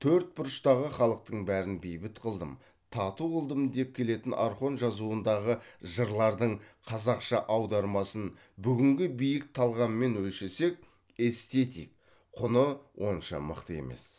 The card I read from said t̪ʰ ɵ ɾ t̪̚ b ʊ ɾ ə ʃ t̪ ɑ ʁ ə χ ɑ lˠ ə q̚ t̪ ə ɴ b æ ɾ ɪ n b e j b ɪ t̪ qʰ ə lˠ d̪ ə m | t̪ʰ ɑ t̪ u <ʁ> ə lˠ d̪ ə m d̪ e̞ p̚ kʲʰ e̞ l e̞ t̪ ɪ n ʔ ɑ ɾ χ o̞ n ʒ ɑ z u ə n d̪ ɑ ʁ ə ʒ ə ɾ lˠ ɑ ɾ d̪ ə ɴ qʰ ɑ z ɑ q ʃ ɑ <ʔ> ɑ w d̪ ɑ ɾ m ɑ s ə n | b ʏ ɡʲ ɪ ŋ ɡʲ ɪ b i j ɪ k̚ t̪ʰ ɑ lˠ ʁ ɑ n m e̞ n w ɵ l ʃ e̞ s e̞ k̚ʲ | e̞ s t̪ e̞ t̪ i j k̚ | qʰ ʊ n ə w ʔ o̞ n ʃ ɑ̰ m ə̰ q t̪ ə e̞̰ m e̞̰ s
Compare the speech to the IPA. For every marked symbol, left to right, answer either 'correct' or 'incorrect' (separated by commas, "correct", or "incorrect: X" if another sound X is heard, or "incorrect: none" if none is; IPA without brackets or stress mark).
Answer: correct, correct